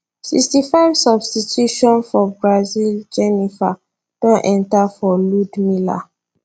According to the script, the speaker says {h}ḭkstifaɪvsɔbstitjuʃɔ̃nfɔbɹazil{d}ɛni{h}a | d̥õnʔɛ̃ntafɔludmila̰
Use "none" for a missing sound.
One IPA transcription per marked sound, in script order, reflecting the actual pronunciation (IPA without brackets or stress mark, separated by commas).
s, d͡ʒ, f